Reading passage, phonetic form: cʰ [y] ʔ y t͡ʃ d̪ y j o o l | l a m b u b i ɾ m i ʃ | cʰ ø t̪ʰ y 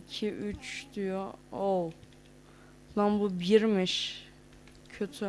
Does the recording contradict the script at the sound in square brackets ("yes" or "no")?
yes